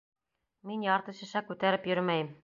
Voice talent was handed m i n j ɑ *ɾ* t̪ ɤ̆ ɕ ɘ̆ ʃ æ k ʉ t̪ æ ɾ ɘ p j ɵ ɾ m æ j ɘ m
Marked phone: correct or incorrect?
correct